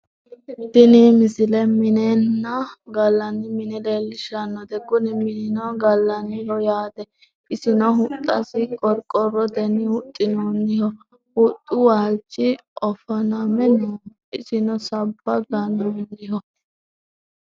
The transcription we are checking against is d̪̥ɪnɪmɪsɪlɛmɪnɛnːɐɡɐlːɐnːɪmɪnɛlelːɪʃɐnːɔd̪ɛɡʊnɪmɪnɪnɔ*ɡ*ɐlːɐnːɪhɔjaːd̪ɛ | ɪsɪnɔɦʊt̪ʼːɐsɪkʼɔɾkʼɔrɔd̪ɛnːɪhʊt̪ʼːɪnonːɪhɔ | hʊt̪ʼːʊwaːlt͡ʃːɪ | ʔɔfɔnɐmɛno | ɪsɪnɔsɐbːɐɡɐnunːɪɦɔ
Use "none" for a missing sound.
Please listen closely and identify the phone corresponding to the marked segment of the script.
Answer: ɡ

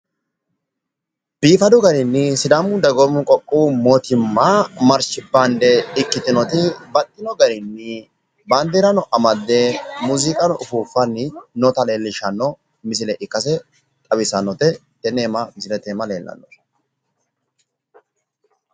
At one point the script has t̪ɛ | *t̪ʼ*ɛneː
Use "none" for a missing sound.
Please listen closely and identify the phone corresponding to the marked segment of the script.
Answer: t̪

